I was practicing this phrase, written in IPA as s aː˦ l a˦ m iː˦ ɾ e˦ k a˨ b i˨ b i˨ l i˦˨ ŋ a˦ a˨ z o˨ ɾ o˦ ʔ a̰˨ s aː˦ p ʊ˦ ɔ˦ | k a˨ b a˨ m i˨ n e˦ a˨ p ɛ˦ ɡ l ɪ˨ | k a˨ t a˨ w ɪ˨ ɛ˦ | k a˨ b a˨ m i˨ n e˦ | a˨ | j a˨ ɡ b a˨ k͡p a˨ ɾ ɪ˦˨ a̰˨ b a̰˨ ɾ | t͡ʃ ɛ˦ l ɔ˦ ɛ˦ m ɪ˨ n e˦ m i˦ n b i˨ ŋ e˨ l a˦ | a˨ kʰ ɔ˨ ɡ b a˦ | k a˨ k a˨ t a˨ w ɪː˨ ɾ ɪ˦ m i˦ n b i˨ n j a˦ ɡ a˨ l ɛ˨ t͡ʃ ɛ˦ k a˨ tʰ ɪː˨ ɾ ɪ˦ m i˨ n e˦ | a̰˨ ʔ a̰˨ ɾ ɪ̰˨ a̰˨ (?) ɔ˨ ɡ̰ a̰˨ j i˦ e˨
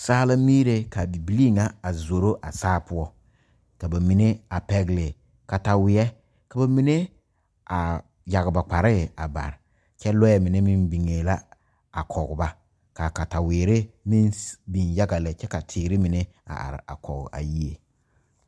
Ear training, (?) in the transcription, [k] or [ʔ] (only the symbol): k